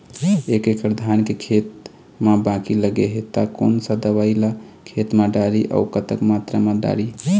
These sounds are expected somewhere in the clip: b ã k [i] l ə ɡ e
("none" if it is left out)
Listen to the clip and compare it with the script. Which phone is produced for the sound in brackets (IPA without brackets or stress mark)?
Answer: i